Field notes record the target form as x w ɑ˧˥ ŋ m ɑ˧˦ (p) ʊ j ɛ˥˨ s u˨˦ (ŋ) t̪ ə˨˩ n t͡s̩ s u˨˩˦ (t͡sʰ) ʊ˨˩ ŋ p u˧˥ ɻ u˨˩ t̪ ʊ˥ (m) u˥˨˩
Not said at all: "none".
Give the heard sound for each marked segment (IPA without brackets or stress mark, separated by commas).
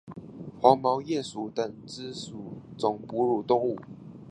none, none, t͡s, ŋ